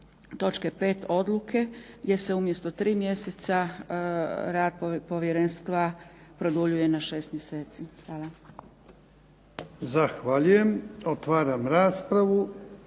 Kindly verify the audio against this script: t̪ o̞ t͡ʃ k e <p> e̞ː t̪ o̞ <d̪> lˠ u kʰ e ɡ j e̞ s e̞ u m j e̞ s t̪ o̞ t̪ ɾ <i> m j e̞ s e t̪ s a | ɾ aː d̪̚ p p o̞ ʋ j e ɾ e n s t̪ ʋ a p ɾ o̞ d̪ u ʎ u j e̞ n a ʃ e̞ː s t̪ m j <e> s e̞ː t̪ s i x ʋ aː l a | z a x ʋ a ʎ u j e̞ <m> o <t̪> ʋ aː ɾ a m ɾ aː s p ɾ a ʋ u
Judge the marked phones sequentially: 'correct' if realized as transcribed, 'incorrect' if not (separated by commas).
correct, correct, incorrect, correct, correct, correct